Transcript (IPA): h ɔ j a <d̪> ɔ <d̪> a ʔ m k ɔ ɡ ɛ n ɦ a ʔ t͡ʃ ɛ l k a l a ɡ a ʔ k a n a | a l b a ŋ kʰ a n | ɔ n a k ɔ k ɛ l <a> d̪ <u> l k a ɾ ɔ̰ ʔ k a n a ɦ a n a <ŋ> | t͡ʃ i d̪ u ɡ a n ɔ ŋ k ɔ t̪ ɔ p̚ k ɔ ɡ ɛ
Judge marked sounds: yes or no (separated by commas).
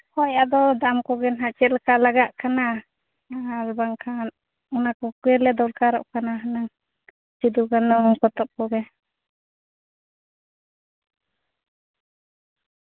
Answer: yes, yes, no, no, yes